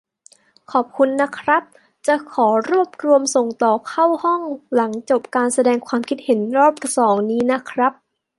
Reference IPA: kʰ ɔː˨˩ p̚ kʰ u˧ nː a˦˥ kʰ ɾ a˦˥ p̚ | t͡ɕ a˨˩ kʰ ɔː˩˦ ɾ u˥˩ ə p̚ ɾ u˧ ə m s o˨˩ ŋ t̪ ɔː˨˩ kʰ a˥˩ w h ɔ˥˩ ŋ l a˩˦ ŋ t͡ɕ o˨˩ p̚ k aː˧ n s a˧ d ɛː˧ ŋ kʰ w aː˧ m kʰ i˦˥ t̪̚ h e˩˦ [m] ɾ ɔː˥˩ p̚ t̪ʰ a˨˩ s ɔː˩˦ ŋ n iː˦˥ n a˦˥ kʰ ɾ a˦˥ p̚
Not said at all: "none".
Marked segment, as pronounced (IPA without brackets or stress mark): n